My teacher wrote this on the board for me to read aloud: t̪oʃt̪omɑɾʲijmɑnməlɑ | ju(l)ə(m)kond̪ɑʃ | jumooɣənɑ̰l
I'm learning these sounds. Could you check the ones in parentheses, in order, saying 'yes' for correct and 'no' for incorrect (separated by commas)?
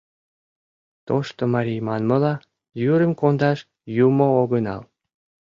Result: no, yes